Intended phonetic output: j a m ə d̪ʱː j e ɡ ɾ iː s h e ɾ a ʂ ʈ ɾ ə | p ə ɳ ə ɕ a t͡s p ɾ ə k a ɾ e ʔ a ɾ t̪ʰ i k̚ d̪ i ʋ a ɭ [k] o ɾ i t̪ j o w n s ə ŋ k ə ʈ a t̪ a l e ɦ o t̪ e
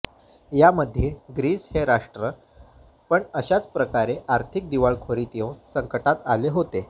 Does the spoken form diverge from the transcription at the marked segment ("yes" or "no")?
yes